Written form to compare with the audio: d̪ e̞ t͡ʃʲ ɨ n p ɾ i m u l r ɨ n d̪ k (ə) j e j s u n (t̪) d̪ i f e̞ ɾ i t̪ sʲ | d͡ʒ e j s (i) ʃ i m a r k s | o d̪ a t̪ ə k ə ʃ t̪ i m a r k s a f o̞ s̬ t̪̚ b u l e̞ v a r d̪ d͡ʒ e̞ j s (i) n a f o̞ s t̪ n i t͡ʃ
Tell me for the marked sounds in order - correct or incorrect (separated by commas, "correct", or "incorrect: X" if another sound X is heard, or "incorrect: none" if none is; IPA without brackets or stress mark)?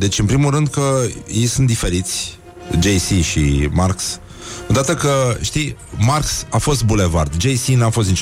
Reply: correct, correct, correct, correct